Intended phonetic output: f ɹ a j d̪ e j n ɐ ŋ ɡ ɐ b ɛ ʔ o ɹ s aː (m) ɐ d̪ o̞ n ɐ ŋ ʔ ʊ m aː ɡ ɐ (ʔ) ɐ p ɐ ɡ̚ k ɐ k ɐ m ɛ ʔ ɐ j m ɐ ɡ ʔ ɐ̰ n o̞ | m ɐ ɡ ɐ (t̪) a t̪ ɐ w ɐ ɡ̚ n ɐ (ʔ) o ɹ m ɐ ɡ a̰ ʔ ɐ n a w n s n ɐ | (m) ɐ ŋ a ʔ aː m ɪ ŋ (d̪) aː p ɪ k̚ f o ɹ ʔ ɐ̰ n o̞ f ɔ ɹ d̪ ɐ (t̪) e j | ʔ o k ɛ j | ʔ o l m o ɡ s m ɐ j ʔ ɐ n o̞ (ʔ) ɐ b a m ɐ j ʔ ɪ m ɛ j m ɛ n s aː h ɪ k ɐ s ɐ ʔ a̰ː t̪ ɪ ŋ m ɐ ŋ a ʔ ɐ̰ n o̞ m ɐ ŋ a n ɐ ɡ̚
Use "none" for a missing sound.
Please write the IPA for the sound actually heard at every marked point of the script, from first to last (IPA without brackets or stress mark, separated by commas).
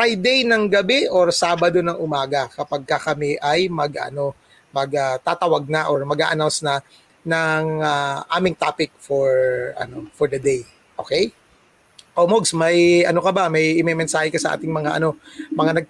b, k, t̪, ʔ, n, t̪, d̪, k